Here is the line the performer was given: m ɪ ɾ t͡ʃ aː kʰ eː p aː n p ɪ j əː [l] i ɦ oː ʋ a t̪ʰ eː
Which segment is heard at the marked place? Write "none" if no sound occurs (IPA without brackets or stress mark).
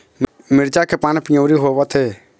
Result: ɾ